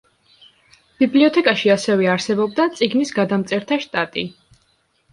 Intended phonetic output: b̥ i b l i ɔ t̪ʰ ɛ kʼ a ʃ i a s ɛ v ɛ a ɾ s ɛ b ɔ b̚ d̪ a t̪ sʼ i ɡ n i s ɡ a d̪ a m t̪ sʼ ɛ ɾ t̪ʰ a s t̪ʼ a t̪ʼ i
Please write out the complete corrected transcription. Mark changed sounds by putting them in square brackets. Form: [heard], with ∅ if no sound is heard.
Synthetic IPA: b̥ i b l i ɔ t̪ʰ ɛ kʼ a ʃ i a s ɛ v ɛ a ɾ s ɛ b ɔ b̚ d̪ a t̪ sʼ i ɡ n i s ɡ a d̪ a m t̪ sʼ ɛ ɾ t̪ʰ a [ʃ] t̪ʼ a t̪ʼ i